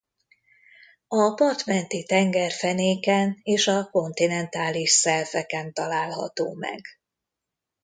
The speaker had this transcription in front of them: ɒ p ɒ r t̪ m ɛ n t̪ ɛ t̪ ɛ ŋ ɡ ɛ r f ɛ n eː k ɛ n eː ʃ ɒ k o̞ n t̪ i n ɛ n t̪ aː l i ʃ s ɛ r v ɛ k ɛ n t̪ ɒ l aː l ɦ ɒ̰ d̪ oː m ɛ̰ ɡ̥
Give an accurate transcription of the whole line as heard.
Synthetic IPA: ɒ p ɒ r t̪ m ɛ n t̪ i t̪ ɛ ŋ ɡ ɛ r f ɛ n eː k ɛ n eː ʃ ɒ k o̞ n t̪ i n ɛ n t̪ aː l i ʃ s ɛ r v ɛ k ɛ n t̪ ɒ l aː l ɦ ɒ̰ t̪ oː m ɛ̰ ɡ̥